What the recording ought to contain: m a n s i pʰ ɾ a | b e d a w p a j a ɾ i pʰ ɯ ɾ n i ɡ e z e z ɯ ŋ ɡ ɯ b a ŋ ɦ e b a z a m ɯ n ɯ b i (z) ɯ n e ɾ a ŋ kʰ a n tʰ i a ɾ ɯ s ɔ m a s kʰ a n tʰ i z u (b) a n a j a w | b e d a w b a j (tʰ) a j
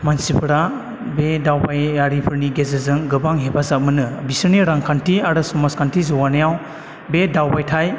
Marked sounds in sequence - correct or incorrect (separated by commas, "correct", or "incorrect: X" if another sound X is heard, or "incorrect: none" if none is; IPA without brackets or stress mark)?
incorrect: s, incorrect: w, correct